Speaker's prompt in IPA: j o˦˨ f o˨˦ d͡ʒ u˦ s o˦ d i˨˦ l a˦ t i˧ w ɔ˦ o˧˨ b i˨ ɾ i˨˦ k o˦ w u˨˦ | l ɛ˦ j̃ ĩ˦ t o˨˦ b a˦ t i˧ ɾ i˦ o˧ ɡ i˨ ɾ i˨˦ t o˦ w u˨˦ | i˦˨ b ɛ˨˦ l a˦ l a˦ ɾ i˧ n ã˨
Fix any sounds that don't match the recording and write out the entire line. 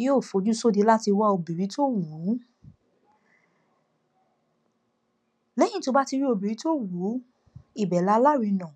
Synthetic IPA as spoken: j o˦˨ f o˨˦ d͡ʒ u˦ s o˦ d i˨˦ l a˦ t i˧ w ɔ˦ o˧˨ b i˨ ɾ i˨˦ t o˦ w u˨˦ | l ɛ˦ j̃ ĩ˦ t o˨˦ b a˦ t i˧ ɾ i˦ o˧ b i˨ ɾ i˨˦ t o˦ w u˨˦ | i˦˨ b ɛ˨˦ l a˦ l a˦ ɾ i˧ n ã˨